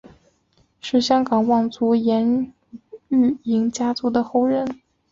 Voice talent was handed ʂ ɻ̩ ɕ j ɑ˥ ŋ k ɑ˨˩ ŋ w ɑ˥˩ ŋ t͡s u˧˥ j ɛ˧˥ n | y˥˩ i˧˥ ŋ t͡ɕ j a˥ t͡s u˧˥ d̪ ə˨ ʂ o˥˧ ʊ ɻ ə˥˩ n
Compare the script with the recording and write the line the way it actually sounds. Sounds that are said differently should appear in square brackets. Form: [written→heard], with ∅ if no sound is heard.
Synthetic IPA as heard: ʂ ɻ̩ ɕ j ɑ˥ ŋ k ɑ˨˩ ŋ w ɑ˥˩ ŋ t͡s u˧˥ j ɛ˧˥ n | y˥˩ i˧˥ ŋ t͡ɕ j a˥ t͡s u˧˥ d̪ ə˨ [ʂ→x] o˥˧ ʊ ɻ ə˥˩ n